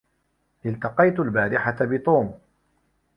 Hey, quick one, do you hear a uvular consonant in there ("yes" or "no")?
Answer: yes